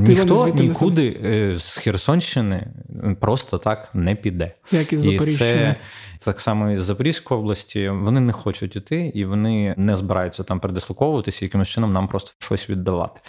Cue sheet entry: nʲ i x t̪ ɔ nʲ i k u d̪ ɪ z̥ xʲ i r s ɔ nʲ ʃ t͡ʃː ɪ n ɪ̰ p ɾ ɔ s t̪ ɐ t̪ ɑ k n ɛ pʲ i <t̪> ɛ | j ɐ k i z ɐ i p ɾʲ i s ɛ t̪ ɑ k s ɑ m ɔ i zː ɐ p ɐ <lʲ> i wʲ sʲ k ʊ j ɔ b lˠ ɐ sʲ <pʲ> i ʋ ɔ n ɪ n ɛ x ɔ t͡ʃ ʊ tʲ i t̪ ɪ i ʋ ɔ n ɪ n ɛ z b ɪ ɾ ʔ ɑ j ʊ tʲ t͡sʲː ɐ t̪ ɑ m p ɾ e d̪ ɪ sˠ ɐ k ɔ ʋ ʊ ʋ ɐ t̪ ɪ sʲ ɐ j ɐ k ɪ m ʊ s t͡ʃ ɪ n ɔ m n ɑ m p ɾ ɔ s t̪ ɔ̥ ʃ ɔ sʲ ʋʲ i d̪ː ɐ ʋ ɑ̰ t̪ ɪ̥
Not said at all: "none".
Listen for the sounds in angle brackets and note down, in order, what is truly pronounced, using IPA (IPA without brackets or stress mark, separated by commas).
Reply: d̪, ɾʲ, tʲ